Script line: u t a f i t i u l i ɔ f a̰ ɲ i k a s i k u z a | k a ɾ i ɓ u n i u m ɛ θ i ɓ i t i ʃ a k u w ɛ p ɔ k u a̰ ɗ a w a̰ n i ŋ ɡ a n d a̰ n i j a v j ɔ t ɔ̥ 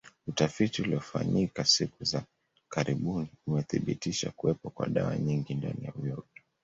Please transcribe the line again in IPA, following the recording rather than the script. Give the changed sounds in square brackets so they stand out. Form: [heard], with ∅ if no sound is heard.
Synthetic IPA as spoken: u t a f i t i u l i ɔ f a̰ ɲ i k a s i k u z a | k a ɾ i ɓ u n i u m ɛ θ i ɓ i t i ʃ a k u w ɛ p ɔ k [w] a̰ ɗ a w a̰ [ɲ] i ŋ ɡ [i] n d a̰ n i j a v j ɔ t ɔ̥